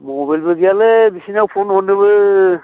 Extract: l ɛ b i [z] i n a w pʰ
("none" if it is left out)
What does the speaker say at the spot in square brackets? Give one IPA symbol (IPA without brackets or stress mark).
s